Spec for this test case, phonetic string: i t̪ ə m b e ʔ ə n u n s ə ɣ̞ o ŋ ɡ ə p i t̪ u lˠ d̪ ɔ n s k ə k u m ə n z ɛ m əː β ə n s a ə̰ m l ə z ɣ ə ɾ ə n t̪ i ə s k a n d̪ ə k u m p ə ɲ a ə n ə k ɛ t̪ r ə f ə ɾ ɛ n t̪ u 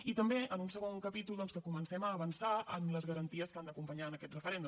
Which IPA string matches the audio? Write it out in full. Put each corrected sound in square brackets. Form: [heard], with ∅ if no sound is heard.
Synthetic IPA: i t̪ ə m b e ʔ ə n u n s ə ɣ̞ o ŋ [k] ə p i t̪ u lˠ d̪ ɔ n s k ə k u m ə n [s] ɛ m əː β ə n s a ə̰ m l ə z ɣ ə ɾ ə n t̪ i ə s k a n d̪ ə k u m p ə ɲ a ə n ə k ɛ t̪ r ə f ə ɾ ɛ n [d̪] u